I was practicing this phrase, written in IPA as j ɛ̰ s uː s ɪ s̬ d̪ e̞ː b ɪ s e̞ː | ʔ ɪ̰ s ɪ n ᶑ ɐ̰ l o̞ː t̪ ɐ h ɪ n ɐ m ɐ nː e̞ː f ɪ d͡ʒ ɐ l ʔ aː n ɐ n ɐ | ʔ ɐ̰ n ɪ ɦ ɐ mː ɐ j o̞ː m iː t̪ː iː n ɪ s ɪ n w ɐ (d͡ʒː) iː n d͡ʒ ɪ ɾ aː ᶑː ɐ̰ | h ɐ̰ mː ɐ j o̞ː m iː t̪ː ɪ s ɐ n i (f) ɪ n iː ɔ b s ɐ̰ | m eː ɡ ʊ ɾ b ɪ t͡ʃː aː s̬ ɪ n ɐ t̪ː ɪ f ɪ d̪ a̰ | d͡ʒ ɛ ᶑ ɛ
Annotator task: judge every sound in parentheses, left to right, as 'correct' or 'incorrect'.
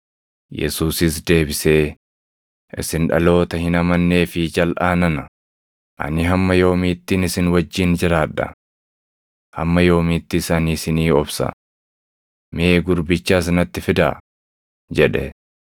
correct, incorrect

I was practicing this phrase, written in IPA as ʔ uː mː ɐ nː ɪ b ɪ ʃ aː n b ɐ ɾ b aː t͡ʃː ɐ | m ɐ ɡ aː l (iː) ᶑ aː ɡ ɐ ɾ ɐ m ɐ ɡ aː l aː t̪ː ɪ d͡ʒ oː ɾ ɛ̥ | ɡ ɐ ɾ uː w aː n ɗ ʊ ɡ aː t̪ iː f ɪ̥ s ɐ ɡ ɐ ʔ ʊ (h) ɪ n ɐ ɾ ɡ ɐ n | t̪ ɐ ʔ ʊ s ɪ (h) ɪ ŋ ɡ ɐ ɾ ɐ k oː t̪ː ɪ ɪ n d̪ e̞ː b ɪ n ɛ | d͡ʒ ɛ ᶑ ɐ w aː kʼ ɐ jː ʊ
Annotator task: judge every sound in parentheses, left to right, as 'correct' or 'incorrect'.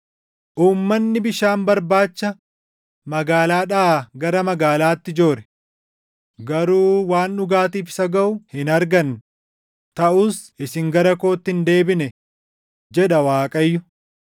incorrect, correct, incorrect

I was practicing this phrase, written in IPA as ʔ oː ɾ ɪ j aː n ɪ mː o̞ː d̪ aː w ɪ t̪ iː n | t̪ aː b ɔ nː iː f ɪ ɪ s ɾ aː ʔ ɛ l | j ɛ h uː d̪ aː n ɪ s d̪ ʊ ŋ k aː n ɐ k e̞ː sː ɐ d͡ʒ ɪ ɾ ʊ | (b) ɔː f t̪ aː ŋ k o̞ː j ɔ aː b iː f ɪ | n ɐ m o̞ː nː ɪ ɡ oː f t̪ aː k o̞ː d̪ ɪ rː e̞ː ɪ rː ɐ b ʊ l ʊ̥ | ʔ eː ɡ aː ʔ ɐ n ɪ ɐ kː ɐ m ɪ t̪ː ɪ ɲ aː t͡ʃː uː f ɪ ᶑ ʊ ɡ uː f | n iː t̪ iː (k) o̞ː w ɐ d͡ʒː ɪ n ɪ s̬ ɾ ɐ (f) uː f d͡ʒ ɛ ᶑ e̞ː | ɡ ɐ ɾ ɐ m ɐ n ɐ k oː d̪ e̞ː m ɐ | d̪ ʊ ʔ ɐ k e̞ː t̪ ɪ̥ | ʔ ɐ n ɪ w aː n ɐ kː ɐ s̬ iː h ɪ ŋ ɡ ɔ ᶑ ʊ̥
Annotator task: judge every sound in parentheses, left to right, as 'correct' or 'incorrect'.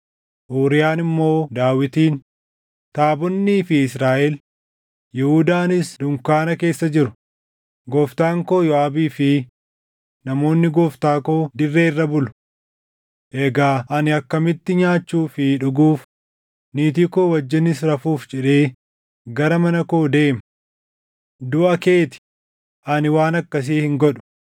incorrect, correct, correct

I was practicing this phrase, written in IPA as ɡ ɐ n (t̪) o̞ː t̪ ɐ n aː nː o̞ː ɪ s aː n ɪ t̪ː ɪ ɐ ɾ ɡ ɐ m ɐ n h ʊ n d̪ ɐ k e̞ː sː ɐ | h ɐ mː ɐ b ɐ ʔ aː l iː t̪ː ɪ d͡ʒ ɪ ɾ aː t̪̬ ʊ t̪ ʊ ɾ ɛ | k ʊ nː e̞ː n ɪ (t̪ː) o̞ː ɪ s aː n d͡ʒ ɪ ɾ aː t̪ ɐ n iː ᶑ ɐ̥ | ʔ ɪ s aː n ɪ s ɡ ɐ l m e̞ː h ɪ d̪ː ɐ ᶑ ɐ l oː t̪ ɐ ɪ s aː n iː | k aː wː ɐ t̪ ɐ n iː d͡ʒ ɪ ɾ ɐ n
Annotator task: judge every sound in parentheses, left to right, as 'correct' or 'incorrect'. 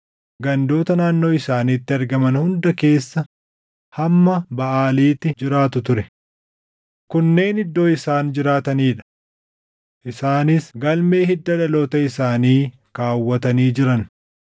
incorrect, incorrect

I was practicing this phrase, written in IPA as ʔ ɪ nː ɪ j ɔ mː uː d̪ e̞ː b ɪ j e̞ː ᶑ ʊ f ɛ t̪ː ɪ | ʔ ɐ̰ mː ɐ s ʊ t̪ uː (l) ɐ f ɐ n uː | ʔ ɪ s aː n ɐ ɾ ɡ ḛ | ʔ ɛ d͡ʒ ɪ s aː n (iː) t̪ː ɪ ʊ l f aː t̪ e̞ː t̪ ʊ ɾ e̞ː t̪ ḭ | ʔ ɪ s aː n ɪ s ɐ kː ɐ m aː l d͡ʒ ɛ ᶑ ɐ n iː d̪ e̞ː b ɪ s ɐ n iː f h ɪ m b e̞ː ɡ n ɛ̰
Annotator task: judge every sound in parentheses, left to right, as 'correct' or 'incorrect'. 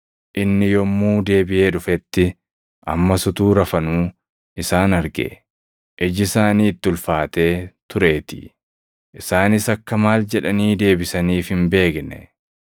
incorrect, correct

